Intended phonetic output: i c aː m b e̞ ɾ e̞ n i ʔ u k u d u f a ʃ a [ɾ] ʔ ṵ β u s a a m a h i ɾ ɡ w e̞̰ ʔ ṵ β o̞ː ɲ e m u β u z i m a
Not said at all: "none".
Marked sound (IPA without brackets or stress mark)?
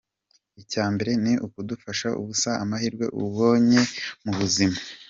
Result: none